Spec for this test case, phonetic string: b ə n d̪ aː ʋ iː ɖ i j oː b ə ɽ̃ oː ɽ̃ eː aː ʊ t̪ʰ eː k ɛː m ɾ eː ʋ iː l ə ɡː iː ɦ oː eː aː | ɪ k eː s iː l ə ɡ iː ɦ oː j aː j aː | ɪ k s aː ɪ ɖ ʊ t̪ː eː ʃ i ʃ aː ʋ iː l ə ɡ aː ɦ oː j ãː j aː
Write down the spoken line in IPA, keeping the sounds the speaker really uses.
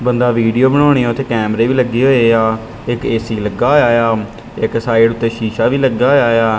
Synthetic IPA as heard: b ə n d̪ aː ʋ iː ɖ i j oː b ə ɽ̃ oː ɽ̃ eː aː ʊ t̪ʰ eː k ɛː m ɾ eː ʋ iː l ə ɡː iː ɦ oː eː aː | ɪ k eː s iː l ə ɡ aː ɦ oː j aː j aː | ɪ k s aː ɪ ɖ ʊ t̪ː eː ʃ iː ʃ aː ʋ iː l ə ɡ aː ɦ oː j aː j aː